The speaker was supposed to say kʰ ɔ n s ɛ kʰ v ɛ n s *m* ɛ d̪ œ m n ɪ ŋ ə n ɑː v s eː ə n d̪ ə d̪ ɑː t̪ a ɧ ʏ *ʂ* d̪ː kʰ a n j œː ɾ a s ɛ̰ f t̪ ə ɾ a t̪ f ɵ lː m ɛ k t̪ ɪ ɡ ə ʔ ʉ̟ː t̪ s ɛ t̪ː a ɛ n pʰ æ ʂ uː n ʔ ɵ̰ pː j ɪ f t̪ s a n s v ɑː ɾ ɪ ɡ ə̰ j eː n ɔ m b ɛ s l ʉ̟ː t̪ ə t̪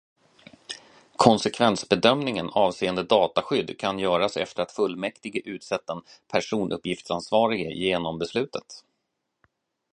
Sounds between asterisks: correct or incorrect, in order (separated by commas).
incorrect, incorrect